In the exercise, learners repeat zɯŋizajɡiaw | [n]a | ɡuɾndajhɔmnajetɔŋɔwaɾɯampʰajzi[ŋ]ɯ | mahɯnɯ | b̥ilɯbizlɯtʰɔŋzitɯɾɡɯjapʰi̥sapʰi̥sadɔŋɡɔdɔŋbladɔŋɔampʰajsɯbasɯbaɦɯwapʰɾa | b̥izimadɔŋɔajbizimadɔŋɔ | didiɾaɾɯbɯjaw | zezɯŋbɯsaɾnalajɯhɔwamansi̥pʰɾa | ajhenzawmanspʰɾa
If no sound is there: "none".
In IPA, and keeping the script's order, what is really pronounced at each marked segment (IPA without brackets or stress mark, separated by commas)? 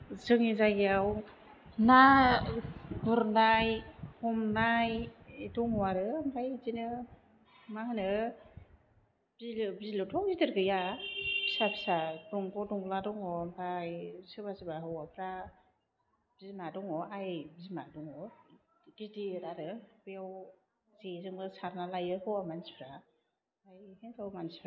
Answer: n, n